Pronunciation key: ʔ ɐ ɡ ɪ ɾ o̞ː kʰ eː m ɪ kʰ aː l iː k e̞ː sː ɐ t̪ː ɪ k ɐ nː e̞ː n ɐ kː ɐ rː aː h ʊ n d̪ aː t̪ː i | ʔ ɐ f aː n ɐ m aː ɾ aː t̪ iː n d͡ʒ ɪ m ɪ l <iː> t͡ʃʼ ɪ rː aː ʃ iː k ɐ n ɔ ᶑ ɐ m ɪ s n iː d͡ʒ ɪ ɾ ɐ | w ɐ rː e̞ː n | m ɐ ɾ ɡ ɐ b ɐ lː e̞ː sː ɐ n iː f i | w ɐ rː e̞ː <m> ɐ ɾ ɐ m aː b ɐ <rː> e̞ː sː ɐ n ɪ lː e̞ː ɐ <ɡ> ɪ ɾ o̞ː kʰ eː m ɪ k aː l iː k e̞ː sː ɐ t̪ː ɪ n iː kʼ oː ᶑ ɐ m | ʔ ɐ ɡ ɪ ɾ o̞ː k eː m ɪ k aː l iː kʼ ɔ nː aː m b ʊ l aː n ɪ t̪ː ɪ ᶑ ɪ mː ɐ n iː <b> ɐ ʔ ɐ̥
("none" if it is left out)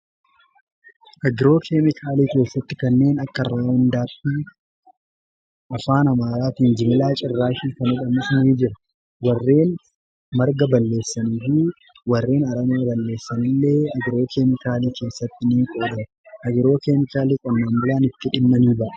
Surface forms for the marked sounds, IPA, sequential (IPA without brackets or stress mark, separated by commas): aː, n, lː, ɡ, b